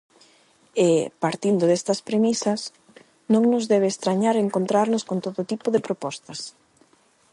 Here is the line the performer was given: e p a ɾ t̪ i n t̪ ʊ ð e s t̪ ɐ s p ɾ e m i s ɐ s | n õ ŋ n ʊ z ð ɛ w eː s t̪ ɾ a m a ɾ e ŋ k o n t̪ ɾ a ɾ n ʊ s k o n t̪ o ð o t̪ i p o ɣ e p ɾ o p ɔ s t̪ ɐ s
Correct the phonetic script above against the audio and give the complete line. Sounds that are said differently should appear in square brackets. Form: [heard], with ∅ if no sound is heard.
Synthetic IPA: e p a ɾ t̪ i n [d̪] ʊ ð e s t̪ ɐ s p ɾ e m i s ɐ s | n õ ŋ n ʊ z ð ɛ [β] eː s t̪ ɾ a [ɲ] a ɾ e ŋ k o n t̪ ɾ a ɾ n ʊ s k o n t̪ o ð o t̪ i p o [ð] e p ɾ o p ɔ s t̪ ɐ s